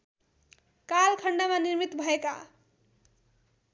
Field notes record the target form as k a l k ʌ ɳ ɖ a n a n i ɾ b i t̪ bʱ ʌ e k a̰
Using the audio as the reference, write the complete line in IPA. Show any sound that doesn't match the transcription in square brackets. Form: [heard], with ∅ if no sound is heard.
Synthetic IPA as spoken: k a l [kʰ] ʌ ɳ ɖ a [m] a n i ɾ [m] i t̪ bʱ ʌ e k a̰